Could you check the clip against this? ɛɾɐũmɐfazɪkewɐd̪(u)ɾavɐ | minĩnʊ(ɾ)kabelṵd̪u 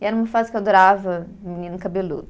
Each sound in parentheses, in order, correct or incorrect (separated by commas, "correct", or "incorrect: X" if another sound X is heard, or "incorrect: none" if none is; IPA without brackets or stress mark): incorrect: o, incorrect: none